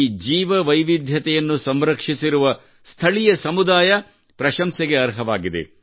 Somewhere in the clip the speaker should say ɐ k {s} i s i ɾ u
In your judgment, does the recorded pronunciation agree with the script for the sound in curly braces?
no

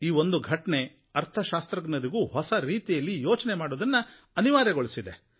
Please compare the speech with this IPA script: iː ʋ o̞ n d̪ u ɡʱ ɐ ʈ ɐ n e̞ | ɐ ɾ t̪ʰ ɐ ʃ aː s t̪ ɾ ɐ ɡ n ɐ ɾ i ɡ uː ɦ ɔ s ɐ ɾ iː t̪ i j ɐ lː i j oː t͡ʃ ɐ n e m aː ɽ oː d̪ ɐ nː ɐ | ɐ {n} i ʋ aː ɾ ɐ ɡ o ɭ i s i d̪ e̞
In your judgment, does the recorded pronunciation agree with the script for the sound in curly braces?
yes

